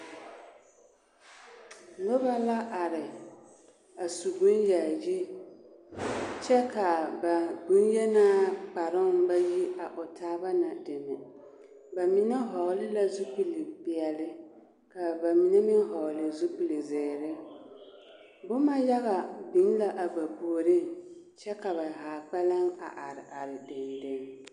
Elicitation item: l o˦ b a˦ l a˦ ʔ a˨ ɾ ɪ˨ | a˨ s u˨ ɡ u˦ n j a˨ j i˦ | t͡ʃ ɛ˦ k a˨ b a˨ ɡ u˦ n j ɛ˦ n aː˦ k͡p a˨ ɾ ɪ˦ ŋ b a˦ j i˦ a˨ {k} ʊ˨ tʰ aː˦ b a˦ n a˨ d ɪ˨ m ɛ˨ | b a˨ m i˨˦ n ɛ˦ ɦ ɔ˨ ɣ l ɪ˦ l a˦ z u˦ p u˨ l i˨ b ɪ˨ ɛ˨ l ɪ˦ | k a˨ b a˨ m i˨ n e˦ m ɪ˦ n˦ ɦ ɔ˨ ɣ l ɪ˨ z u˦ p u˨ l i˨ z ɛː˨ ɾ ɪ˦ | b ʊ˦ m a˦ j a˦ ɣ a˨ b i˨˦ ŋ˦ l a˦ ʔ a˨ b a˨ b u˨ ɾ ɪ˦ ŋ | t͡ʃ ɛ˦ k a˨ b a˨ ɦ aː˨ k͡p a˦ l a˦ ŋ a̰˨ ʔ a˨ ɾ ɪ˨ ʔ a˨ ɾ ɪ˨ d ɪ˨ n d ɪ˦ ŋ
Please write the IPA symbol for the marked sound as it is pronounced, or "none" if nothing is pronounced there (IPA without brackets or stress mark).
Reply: ʔ